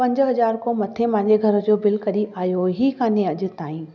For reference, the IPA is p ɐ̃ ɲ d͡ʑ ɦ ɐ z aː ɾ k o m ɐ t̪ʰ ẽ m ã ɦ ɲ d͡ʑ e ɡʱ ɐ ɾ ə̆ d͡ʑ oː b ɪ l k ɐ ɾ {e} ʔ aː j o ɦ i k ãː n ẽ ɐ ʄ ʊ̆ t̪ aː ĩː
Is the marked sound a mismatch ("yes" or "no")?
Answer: yes